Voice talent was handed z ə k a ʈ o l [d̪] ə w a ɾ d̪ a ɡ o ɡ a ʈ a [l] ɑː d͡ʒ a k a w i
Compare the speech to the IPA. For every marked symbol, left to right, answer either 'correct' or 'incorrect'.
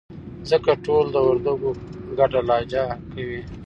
correct, correct

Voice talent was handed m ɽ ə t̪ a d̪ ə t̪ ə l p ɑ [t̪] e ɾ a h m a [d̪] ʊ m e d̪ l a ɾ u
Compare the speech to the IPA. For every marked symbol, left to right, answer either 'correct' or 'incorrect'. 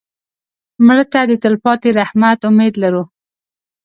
correct, incorrect: t̪

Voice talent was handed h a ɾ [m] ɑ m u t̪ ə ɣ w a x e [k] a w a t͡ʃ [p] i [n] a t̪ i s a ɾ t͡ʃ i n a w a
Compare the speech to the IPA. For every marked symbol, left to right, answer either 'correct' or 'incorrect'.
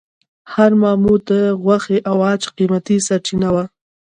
correct, incorrect: ʔ, incorrect: q, incorrect: m

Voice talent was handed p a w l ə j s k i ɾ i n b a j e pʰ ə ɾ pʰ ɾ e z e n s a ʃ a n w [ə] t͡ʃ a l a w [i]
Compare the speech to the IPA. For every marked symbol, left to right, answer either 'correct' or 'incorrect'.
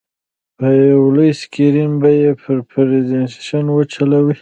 correct, correct

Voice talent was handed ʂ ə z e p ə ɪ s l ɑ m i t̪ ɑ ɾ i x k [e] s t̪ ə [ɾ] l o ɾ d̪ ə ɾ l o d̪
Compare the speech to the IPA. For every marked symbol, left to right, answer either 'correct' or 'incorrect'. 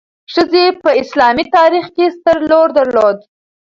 correct, correct

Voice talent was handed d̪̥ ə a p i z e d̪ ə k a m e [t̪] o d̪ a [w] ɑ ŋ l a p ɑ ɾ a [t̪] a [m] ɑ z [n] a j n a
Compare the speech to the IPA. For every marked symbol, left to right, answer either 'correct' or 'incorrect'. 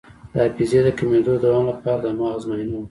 incorrect: d̪, correct, incorrect: d̪, correct, incorrect: m

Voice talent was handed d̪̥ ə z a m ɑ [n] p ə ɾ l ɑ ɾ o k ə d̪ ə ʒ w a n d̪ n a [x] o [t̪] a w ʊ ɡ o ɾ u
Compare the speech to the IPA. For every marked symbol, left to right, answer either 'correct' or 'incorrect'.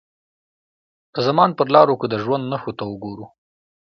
correct, correct, correct

